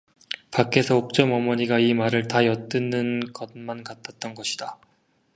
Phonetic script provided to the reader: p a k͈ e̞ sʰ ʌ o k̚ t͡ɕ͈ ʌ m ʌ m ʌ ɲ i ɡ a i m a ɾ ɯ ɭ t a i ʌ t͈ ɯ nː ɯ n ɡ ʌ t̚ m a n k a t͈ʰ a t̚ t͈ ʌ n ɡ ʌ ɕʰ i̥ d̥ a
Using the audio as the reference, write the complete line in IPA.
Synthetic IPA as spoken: p a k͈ e̞ sʰ ʌ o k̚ t͡ɕ͈ ʌ m ʌ m ʌ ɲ i ɡ a i m a ɾ ɯ ɭ t a j ʌ t͈ ɯ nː ɯ n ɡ ʌ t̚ m a n k a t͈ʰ a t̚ t͈ ʌ n ɡ ʌ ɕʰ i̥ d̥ a

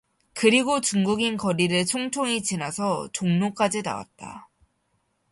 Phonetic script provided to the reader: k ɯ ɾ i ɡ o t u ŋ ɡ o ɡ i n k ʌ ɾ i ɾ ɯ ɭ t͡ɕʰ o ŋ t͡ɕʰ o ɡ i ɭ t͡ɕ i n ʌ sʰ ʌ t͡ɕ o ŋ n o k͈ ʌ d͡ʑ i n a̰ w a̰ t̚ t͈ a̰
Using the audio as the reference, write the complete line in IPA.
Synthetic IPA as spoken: k ɯ ɾ i ɡ o t͡ɕ u ŋ ɡ u ɡ i n k ʌ ɾ i ɾ ɯ ɭ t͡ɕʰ o ŋ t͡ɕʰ o ŋ i t͡ɕ i n a sʰ ʌ t͡ɕ o ŋ n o k͈ a d͡ʑ i n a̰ w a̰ t̚ t͈ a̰

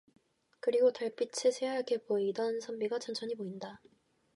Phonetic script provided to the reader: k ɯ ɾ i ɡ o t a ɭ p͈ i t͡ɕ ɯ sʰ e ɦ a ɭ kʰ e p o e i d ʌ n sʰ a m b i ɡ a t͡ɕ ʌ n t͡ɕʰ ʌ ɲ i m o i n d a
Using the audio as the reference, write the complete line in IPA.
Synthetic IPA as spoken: k ɯ ɾ i ɡ o t a ɭ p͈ i t͡ɕʰ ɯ sʰ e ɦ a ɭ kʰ e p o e i d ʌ n sʰ ʌ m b i ɡ a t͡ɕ ʌ n t͡ɕʰ ʌ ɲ i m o i n d a

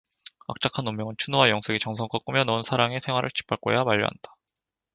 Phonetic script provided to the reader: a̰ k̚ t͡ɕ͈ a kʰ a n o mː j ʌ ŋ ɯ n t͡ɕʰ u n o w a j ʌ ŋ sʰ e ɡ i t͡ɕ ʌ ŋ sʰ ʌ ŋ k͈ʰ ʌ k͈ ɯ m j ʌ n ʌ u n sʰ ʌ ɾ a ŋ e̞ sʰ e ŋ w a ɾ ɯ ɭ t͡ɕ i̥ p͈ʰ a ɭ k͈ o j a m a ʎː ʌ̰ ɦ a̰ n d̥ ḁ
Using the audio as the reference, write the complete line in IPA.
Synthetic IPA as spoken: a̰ k̚ t͡ɕ͈ a kʰ a n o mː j ʌ ŋ ɯ n t͡ɕʰ u n o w a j ʌ ŋ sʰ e ɡ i t͡ɕ ʌ ŋ sʰ ʌ ŋ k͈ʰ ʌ k͈ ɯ m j ʌ n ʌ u n sʰ a ɾ a ŋ e̞ sʰ e ŋ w a ɾ ɯ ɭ t͡ɕ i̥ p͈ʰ a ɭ k͈ o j a m a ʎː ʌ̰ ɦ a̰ n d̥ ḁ

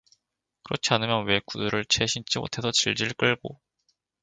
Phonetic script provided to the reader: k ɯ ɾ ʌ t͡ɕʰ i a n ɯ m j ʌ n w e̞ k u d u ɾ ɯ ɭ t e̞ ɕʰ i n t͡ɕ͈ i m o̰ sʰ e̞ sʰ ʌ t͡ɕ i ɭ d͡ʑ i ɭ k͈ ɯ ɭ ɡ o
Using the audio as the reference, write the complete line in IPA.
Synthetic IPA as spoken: k ɯ ɾ ʌ t͡ɕʰ i a n ɯ m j ʌ n w e̞ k u d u ɾ ɯ ɭ t͡ɕʰ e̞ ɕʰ i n t͡ɕ͈ i m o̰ tʰ e̞ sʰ ʌ t͡ɕ i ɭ d͡ʑ i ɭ k͈ ɯ ɭ ɡ o

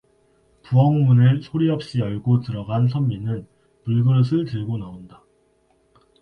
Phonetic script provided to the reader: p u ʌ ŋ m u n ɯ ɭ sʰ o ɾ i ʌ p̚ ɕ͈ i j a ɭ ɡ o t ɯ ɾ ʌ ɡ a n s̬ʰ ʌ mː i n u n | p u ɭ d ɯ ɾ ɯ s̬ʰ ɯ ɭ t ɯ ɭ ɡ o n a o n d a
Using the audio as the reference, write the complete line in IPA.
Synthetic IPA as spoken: p u ʌ ŋ m u n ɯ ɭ sʰ o ɾ i ʌ p̚ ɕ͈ i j ʌ ɭ ɡ o t ɯ ɾ ʌ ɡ a n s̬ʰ ʌ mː i n ɯ n | p u ɭ ɡ ɯ ɾ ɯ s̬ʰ ɯ ɭ t ɯ ɭ ɡ o n a o n d a

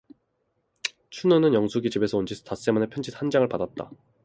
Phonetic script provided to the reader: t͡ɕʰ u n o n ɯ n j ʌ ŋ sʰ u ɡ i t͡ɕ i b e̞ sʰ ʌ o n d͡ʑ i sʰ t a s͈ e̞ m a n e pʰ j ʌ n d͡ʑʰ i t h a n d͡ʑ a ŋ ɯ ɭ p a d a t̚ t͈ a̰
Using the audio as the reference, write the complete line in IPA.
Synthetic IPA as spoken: t͡ɕʰ u n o n ɯ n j ʌ ŋ sʰ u ɡ i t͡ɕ i b e̞ sʰ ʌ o n d͡ʑ i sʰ t a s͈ e̞ m a n e pʰ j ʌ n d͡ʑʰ i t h a n d͡ʑ a ŋ ɯ ɭ p a d a t̚ t͈ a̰

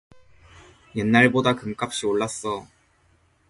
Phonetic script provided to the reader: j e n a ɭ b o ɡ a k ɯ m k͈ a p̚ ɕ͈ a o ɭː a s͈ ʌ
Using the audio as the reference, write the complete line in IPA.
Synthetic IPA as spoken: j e nː a ɭ b o d a k ɯ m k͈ a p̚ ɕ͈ i o ɭː a s͈ ʌ

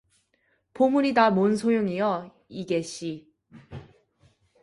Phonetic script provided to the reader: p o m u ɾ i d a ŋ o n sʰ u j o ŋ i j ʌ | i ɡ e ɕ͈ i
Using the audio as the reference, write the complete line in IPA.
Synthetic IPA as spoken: p o m u ɾ i d a m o n sʰ o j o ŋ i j ʌ | i ɡ e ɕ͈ i

